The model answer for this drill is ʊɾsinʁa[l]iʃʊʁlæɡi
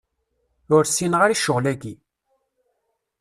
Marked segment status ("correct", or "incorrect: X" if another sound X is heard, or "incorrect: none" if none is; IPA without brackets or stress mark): incorrect: ɾ